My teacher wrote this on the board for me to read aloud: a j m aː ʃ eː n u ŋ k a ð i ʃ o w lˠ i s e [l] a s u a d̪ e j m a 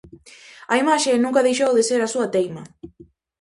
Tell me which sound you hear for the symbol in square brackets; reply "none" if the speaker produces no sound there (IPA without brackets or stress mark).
ɾ